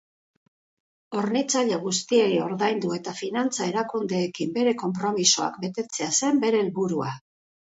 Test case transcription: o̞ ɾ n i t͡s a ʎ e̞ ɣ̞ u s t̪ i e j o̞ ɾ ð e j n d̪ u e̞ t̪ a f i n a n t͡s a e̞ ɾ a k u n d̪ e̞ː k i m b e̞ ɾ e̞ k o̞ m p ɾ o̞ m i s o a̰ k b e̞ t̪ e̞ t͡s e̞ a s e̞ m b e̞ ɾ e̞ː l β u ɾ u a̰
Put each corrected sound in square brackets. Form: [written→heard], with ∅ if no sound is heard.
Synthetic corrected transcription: o̞ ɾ n i t͡s a ʎ e̞ ɣ̞ u s t̪ i e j o̞ ɾ ð [e→a] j n d̪ u e̞ t̪ a f i n a n t͡s a e̞ ɾ a k u n d̪ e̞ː k i m b e̞ ɾ e̞ k o̞ m p ɾ o̞ m i s o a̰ k b e̞ t̪ e̞ t͡s e̞ a s e̞ m b e̞ ɾ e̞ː l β u ɾ u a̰